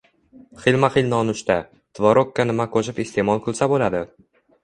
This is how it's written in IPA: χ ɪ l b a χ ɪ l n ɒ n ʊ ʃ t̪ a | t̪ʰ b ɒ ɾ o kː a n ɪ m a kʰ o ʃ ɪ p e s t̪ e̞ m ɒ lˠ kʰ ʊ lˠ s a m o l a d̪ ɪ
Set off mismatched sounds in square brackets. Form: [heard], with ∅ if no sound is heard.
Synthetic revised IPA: χ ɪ l [m] a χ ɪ l n ɒ n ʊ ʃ t̪ a | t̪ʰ [v] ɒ ɾ o kː a n ɪ m a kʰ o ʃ ɪ p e s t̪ e̞ m ɒ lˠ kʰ ʊ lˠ s a [b] o l a d̪ ɪ